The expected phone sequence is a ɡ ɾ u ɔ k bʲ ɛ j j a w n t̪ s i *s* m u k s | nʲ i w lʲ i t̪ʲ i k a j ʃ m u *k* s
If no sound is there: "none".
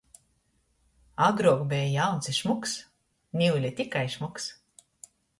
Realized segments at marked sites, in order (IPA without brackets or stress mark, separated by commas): ʃ, k